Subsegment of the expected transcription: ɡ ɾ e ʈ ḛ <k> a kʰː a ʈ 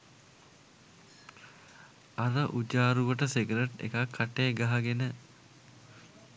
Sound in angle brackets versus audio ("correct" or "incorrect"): correct